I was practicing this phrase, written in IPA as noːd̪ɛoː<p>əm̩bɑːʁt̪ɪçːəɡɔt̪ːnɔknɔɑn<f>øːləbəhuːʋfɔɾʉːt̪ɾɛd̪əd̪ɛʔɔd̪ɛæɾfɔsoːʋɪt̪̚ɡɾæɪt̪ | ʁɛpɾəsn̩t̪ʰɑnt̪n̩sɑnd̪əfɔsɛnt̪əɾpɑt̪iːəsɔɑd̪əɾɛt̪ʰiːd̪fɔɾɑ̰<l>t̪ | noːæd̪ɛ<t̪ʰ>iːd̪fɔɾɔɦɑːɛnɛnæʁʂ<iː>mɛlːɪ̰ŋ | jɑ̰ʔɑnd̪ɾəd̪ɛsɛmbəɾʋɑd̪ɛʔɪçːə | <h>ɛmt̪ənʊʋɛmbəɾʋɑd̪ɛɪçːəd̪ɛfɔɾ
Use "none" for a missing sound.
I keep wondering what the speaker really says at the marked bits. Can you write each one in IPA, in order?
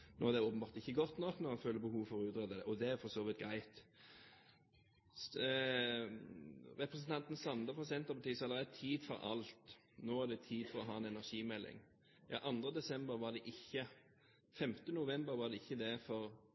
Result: p, f, l, t̪ʰ, iː, f

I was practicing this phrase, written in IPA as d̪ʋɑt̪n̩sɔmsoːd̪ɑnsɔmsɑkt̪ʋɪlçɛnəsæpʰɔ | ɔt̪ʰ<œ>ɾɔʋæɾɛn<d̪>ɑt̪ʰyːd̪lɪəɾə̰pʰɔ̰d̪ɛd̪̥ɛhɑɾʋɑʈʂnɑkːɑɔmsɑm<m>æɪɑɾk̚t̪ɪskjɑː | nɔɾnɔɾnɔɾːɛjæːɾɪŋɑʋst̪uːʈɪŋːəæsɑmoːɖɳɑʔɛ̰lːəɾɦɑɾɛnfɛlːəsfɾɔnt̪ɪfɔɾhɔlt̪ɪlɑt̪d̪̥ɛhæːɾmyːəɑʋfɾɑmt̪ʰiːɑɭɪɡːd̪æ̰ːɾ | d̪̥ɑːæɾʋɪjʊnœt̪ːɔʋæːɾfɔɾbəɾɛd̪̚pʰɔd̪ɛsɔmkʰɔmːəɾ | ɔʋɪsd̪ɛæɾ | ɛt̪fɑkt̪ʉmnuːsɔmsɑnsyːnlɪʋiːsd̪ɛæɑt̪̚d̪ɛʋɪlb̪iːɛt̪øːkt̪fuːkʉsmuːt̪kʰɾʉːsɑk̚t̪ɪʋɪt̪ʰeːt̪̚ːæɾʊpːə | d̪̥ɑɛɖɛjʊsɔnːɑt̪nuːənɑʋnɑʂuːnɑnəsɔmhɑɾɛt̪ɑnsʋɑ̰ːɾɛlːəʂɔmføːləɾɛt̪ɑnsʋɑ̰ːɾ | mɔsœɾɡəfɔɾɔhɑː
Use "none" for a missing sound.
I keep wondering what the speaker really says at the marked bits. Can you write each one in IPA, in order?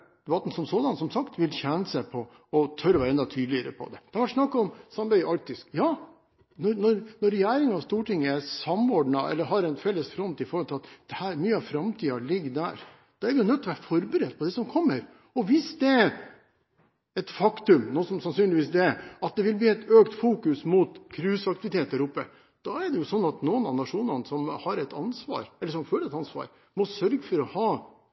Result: œ, d̪, b

